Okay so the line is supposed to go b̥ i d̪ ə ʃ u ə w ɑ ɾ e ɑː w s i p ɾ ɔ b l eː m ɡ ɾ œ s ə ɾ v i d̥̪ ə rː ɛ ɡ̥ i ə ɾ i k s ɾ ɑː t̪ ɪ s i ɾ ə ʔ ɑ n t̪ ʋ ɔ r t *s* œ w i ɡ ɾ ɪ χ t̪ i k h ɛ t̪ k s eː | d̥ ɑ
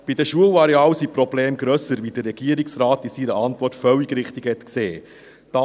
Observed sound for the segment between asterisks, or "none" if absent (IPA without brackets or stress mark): f